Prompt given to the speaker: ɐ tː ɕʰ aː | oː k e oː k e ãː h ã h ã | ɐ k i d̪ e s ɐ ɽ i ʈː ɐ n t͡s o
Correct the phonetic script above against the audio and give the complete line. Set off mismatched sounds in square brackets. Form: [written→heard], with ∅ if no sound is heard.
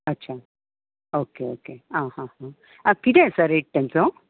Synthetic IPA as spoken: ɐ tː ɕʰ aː | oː k e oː k e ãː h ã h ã | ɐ k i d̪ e s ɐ [ɽ→ɾ] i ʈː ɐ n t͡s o